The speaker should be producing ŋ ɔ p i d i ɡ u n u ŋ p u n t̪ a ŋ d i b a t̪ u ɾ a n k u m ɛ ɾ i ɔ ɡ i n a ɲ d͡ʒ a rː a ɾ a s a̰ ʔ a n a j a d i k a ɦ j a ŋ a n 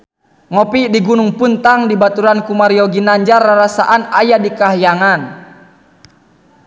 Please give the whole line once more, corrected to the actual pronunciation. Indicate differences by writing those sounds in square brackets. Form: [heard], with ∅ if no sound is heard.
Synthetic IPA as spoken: ŋ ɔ p i d i ɡ u n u ŋ p u n t̪ a ŋ d i b a t̪ u ɾ a n k u m [a] ɾ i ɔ ɡ i n a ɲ d͡ʒ a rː a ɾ a s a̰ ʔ a n a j a d i k a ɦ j a ŋ a n